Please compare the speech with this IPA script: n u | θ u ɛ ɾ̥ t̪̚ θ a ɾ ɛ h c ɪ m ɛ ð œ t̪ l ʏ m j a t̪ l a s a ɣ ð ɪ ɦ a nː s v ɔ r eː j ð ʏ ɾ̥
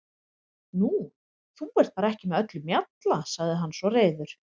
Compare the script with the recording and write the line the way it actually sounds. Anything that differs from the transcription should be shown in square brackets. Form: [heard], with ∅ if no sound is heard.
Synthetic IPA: n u | θ u ɛ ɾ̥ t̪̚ θ a ɾ ɛ h c ɪ m ɛ ð œ t̪ l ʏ m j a t̪ l a s a ɣ ð ɪ ɦ a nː s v ɔ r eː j ð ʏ ɾ̥